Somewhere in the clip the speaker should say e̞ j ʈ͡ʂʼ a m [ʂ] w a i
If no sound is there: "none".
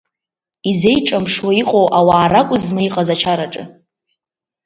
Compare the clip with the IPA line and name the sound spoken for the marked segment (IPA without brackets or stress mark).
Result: ʂ